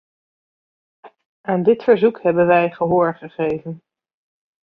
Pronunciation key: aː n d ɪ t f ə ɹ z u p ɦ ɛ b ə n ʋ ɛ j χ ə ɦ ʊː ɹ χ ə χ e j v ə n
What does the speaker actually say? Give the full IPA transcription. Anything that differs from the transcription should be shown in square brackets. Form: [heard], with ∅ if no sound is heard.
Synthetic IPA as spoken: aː n d ɪ t f ə ɹ z u [k] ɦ ɛ b ə n ʋ ɛ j χ ə ɦ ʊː ɹ χ ə χ e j v ə n